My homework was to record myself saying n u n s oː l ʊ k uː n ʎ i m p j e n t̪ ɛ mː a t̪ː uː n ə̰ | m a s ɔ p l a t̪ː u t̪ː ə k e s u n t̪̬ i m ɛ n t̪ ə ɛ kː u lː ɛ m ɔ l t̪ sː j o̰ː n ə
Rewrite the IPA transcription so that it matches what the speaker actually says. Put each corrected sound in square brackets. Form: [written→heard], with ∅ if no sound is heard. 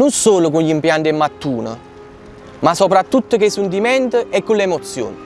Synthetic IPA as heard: n u n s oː l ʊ k [uː→u] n ʎ i m p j [e→a] n t̪ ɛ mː a t̪ː uː n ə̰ | m a s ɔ p [l→ɾ] a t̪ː u t̪ː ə k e s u n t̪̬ i m ɛ n t̪ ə ɛ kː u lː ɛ m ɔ [l→∅] t̪ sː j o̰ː n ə